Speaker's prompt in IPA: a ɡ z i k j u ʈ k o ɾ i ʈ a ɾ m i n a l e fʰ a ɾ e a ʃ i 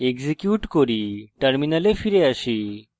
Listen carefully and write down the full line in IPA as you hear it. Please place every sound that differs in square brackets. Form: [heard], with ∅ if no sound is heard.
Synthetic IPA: [e] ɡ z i k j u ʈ k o ɾ i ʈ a ɾ m i n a l e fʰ [i] ɾ e a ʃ i